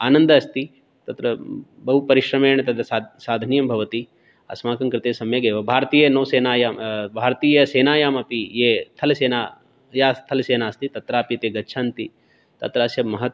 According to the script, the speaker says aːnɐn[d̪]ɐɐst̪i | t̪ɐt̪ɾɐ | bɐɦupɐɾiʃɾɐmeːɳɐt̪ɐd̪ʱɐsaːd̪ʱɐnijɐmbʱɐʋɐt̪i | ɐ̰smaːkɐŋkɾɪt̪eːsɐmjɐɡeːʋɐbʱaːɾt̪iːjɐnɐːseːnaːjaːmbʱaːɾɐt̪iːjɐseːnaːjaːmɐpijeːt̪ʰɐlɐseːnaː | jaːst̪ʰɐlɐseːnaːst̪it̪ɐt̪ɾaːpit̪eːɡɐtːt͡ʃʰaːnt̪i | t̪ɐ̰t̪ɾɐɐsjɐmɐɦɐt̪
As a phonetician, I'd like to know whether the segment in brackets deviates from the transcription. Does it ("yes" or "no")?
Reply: no